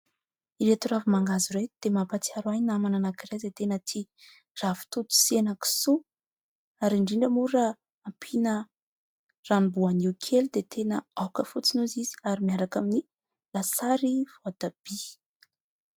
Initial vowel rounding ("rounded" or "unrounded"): unrounded